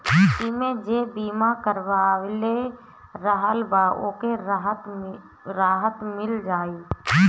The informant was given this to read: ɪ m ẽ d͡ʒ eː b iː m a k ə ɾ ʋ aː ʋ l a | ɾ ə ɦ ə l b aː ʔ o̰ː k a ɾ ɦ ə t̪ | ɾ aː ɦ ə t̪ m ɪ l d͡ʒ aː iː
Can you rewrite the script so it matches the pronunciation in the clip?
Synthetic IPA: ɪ m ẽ d͡ʒ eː b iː m a k ə ɾ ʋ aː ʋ l e | ɾ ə ɦ ə l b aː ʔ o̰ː k e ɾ ɦ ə t̪ | ɾ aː ɦ ə t̪ m ɪ l d͡ʒ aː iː